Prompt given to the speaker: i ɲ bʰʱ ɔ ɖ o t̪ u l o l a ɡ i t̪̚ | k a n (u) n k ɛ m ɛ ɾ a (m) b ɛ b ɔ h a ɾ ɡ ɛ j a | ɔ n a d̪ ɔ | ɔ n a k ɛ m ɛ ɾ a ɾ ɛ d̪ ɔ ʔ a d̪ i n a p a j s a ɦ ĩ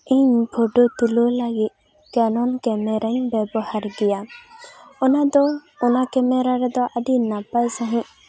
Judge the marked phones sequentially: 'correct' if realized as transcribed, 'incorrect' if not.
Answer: incorrect: ɔ, incorrect: ɲ

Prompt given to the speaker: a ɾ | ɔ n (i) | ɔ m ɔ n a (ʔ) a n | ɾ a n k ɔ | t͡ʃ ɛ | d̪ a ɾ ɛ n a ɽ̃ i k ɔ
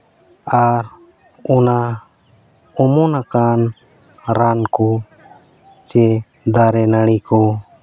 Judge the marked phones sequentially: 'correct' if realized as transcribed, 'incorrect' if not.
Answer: incorrect: a, incorrect: k

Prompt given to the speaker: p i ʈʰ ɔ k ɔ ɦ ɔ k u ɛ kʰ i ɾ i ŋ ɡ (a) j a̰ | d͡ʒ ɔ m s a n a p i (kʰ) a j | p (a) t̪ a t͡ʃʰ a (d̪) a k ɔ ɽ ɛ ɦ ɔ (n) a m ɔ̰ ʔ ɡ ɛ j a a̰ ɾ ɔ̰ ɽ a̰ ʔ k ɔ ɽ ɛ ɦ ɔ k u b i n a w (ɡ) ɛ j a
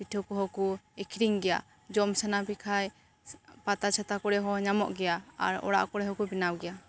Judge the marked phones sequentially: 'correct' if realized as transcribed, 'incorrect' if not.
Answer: incorrect: ɛ, correct, correct, incorrect: t̪, incorrect: ɲ, correct

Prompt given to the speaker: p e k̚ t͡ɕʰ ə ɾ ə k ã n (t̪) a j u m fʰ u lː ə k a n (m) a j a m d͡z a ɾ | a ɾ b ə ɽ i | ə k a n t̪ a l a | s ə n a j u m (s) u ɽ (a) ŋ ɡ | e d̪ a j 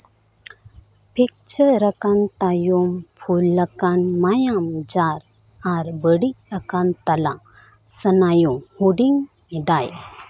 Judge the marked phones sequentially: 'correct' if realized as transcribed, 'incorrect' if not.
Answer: correct, correct, incorrect: h, incorrect: i

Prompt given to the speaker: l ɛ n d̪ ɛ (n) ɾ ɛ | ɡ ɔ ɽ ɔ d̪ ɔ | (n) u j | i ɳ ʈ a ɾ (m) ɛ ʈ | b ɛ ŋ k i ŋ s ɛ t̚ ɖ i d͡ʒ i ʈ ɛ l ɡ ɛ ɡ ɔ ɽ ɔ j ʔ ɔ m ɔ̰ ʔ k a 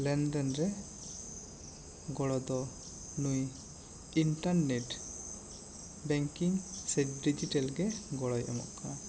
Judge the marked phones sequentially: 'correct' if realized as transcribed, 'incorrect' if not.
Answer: correct, correct, incorrect: n

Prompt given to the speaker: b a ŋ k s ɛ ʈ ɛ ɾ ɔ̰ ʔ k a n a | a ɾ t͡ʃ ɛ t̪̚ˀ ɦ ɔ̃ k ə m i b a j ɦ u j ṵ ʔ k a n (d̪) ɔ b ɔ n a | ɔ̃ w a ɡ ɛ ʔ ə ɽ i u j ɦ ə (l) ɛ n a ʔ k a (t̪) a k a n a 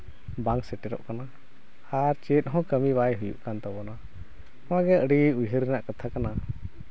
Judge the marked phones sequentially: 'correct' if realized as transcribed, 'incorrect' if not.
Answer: incorrect: t̪, incorrect: ɾ, incorrect: t̪ʰ

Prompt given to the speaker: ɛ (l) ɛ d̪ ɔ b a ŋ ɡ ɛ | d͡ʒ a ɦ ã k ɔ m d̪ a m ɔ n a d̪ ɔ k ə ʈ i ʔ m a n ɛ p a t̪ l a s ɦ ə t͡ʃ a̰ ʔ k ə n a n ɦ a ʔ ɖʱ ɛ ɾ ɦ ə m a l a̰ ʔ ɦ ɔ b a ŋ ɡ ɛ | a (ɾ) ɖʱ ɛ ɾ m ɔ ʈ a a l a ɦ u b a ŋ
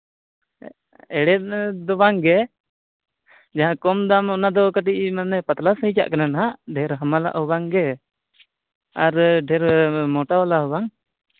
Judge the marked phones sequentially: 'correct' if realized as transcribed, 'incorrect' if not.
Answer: incorrect: ɽ, correct

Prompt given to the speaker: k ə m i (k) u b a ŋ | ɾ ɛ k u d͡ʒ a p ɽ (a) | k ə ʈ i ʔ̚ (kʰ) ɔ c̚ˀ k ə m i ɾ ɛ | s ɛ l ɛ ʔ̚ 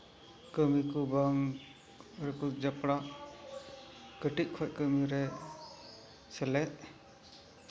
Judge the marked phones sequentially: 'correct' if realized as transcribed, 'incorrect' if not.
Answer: correct, correct, correct

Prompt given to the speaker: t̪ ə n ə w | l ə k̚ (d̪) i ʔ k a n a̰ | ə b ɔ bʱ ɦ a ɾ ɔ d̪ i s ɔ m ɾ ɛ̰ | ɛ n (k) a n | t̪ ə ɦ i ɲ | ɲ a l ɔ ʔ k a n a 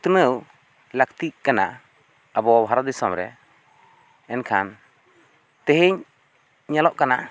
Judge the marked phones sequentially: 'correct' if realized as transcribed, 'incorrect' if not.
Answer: incorrect: t̪, incorrect: kʰ

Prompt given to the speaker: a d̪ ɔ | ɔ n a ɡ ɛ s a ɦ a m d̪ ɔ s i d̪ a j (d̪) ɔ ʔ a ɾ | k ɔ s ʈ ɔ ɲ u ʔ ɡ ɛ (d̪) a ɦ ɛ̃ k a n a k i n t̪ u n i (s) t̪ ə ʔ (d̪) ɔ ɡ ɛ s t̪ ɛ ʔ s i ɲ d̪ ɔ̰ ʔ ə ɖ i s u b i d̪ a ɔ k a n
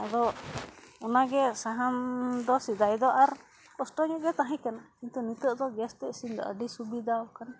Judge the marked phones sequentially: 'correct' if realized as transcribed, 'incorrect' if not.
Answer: correct, incorrect: t̪, incorrect: none, correct

